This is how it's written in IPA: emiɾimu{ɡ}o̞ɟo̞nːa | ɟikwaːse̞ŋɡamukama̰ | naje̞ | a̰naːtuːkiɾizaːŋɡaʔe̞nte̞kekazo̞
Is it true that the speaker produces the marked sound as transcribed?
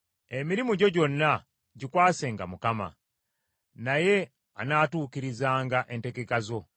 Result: no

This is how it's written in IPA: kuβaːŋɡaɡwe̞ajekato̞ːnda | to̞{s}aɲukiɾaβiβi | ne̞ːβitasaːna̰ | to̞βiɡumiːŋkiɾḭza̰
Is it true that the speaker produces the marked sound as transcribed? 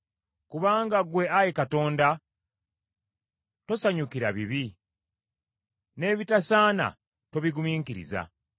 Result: yes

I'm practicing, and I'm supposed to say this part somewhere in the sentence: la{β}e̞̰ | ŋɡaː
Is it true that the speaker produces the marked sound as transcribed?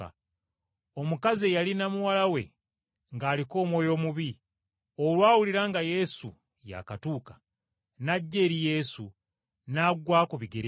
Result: no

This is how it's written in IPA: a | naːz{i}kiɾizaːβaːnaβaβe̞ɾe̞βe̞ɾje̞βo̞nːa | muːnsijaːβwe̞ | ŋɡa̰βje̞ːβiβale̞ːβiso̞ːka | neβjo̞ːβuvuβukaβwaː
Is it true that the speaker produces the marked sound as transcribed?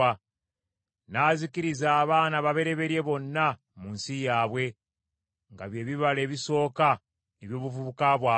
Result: yes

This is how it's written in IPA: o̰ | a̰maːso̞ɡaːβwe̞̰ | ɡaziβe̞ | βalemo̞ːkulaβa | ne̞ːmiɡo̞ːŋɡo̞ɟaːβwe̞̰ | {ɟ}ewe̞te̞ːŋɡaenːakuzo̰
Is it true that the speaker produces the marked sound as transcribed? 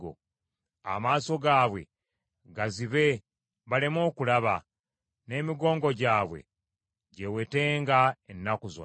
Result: yes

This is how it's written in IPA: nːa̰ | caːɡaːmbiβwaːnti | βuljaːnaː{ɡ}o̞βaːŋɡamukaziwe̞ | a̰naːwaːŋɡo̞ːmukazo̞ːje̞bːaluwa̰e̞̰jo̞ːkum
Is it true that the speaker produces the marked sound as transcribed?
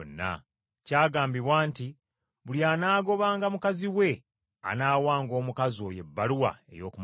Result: yes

